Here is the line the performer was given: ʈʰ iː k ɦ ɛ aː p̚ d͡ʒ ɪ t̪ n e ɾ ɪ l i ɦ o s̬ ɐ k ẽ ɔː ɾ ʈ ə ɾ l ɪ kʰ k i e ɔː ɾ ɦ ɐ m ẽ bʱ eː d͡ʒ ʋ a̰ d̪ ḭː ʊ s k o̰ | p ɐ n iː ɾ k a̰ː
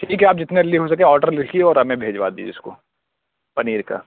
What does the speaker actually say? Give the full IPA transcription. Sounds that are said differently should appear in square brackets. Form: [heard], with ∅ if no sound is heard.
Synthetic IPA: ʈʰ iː k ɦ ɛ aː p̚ d͡ʒ ɪ t̪ n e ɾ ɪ l i ɦ o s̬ ɐ k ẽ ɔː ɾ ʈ ə ɾ l ɪ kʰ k i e ɔː ɾ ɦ ɐ m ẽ bʱ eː d͡ʒ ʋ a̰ d̪ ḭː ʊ s k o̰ | p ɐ n iː ɾ k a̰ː